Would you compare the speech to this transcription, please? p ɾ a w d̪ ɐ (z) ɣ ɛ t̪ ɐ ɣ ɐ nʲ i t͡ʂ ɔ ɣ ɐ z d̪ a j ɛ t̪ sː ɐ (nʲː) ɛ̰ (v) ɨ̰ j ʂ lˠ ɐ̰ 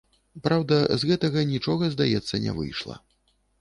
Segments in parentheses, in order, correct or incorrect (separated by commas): correct, incorrect, correct